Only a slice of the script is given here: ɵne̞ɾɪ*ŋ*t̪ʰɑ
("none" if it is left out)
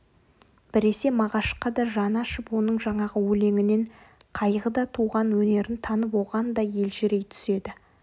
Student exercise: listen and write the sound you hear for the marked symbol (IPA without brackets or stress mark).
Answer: n